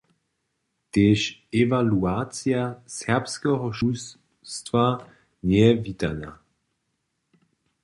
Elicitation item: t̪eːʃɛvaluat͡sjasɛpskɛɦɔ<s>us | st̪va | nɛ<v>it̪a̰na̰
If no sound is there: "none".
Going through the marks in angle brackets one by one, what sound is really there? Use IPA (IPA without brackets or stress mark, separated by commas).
ʃ, v